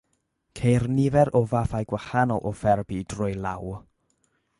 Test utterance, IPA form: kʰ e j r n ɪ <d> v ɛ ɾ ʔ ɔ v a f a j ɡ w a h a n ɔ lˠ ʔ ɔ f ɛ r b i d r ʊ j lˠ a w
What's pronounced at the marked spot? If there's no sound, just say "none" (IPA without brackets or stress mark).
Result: none